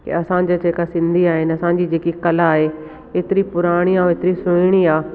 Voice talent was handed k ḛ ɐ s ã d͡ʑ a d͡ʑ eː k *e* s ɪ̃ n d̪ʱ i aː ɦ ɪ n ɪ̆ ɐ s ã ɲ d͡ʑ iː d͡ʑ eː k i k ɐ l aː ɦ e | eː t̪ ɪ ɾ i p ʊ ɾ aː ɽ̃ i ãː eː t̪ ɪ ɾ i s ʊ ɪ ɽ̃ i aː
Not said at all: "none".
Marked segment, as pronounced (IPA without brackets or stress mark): a